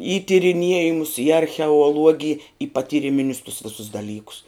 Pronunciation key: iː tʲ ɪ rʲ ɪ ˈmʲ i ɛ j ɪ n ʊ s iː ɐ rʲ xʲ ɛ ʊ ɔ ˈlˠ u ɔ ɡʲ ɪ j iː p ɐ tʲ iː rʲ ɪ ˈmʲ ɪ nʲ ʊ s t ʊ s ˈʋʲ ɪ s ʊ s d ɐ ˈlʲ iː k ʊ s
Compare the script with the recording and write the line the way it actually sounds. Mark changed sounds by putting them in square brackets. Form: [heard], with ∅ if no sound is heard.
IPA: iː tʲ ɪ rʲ ɪ [ˈnʲ] i ɛ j ɪ [m] ʊ s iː ɐ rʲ xʲ ɛ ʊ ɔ ˈlˠ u ɔ ɡʲ ɪ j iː p ɐ tʲ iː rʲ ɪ ˈmʲ ɪ nʲ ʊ s t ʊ s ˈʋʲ ɪ s ʊ s d ɐ ˈlʲ iː k ʊ s